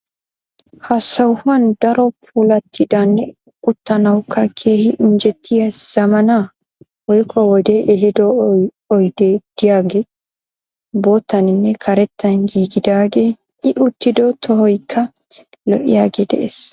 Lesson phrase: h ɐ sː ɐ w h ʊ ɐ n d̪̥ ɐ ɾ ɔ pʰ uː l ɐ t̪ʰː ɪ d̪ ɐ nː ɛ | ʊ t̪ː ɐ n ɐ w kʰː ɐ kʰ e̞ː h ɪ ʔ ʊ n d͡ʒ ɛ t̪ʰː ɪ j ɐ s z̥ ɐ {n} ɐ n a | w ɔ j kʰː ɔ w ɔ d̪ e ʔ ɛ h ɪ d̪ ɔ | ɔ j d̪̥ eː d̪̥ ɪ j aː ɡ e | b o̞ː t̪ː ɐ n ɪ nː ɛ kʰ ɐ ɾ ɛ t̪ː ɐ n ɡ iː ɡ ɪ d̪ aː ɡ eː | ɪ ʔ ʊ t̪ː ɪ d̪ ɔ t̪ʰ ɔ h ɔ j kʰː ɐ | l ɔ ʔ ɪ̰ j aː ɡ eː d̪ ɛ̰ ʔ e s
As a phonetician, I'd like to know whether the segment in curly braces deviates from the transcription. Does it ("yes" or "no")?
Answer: yes